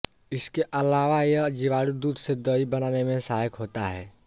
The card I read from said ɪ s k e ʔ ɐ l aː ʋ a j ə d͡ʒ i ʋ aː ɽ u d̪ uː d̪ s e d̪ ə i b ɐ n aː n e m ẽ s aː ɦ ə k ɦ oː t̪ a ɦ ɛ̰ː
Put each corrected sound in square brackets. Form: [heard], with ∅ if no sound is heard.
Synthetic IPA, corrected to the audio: ɪ s k e ʔ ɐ l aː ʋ a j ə d͡ʒ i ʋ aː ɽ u d̪ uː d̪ s e d̪ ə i b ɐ n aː n e m ẽ s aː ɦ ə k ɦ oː t̪ a ɦ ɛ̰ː

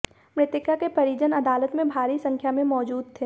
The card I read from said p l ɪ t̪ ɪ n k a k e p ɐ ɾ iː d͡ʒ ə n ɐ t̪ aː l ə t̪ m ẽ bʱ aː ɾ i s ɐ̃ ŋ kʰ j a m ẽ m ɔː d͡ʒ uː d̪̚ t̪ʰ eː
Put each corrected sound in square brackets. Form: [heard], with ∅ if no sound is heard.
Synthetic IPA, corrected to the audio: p [ɾ] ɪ t̪ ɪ [∅] k a k e p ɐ ɾ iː d͡ʒ ə n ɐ [d̪] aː l ə t̪ m ẽ bʱ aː ɾ i s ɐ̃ ŋ kʰ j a m ẽ m ɔː d͡ʒ uː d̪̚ t̪ʰ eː

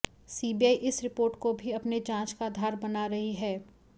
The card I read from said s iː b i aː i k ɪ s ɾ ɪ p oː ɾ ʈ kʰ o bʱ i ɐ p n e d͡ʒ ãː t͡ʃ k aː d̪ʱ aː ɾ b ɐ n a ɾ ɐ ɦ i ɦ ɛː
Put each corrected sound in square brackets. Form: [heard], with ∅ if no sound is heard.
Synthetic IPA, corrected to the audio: s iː b i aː i [ʔ] ɪ s ɾ ɪ p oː ɾ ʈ [k] o bʱ i ɐ p n e d͡ʒ ãː t͡ʃ k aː d̪ʱ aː ɾ b ɐ n a ɾ ɐ ɦ i ɦ ɛː

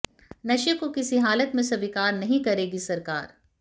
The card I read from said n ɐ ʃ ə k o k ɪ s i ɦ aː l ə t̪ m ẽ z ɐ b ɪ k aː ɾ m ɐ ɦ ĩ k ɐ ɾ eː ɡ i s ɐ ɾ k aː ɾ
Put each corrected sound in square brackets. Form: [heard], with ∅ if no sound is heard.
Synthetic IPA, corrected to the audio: n ɐ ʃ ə k o k ɪ s i ɦ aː l ə t̪ m ẽ [s] ɐ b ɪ k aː ɾ [n] ɐ ɦ ĩ k ɐ ɾ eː ɡ i s ɐ ɾ k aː ɾ

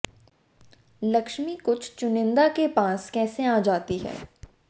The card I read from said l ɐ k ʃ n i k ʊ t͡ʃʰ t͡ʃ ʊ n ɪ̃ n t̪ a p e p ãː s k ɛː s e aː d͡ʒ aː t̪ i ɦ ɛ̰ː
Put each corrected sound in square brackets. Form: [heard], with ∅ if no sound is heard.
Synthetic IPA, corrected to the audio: l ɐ k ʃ [m] i k ʊ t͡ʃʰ t͡ʃ ʊ n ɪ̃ n [d̪] a [k] e p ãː s k ɛː s e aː d͡ʒ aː t̪ i ɦ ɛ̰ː

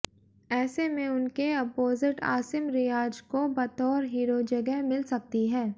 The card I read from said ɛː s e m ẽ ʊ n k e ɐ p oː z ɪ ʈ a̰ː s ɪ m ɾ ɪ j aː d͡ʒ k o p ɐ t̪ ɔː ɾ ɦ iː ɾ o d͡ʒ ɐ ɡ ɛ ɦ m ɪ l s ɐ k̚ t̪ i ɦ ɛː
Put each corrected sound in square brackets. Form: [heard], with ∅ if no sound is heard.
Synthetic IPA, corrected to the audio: ɛː s e m ẽ ʊ n k e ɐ p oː z ɪ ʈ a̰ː s ɪ m ɾ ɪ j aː d͡ʒ k o [b] ɐ t̪ ɔː ɾ ɦ iː ɾ o d͡ʒ ɐ ɡ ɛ ɦ m ɪ l s ɐ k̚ t̪ i ɦ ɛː

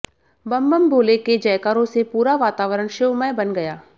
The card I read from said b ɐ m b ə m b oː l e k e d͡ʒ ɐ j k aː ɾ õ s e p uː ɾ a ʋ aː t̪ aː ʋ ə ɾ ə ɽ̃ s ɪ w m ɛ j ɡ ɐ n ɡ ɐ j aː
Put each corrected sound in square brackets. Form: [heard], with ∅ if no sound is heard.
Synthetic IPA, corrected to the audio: b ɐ m b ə m b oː l e k e d͡ʒ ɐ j k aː ɾ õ s e p uː ɾ a ʋ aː t̪ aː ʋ ə ɾ ə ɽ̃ [ʃ] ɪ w m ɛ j [b] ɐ n ɡ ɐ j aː

